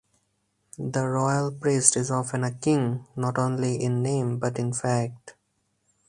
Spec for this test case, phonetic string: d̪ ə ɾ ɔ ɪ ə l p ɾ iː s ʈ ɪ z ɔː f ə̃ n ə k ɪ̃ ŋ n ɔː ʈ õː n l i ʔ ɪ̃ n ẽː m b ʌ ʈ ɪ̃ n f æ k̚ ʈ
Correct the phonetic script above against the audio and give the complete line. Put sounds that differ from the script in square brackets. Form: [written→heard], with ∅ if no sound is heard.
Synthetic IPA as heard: d̪ ə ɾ ɔ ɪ ə l p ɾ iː s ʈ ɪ z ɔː f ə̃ n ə k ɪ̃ ŋ n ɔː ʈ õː n l i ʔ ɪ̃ [n→nː] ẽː m b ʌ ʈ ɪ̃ n f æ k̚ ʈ